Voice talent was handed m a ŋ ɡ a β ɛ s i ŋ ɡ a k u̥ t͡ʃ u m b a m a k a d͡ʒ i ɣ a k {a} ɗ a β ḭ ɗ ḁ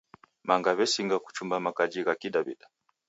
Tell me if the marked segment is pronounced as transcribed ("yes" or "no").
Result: no